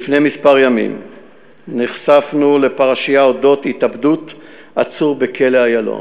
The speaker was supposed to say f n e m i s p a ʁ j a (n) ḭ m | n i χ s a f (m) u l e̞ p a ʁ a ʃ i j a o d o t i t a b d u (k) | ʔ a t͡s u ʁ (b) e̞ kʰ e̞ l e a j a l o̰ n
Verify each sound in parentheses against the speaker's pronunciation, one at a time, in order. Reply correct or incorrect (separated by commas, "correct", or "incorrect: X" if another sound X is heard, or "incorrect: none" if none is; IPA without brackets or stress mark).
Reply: incorrect: m, incorrect: n, incorrect: t, correct